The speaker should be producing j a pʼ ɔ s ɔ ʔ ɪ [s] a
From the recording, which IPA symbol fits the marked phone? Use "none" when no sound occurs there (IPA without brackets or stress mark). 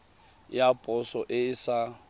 s